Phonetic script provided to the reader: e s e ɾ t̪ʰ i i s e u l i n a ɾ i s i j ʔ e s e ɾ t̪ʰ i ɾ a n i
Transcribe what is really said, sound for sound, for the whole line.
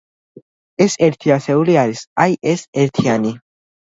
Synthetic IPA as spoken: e s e ɾ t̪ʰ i a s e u l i a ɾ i s a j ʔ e s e ɾ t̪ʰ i a n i